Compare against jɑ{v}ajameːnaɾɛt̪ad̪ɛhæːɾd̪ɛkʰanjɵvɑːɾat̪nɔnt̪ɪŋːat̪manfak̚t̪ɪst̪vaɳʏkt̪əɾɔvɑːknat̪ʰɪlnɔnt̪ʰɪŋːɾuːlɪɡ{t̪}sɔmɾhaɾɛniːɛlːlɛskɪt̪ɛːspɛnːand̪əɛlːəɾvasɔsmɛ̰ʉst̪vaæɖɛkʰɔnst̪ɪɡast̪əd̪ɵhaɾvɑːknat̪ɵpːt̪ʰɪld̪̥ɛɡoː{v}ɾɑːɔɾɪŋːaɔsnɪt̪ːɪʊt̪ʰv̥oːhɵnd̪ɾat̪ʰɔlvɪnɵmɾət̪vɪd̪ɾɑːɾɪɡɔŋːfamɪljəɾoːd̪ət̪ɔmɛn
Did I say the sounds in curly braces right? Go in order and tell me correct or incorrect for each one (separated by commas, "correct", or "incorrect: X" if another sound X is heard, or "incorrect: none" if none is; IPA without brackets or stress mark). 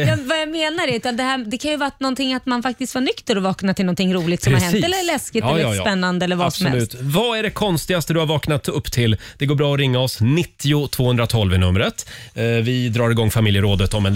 correct, correct, incorrect: b